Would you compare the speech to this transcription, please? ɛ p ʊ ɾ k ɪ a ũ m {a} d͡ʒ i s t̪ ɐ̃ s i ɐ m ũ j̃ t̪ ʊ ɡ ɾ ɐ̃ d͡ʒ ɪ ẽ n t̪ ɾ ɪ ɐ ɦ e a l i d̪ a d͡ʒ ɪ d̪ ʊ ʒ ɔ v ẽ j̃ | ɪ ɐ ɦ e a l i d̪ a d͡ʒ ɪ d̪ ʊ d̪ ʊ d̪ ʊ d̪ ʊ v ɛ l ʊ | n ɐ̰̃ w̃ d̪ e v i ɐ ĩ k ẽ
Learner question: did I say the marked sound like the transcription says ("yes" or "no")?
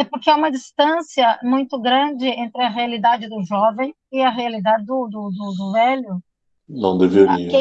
no